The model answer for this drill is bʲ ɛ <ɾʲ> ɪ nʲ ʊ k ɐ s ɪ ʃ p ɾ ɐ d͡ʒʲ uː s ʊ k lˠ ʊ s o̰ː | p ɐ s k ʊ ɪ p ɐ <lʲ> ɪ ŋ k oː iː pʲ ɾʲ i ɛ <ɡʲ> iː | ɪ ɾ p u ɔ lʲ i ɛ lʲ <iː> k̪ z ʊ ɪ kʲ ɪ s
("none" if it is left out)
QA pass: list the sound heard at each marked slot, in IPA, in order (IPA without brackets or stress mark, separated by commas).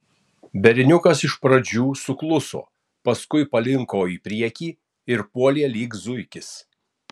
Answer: ɾʲ, lʲ, kʲ, iː